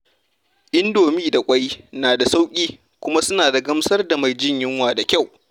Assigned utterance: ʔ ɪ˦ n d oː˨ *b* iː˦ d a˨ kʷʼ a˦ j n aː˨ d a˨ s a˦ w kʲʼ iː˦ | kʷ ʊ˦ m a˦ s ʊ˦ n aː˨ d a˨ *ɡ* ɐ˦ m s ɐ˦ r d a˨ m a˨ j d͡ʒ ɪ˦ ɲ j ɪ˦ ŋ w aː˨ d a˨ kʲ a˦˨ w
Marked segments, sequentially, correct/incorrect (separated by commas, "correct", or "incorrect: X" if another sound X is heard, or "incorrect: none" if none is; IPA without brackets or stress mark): incorrect: m, correct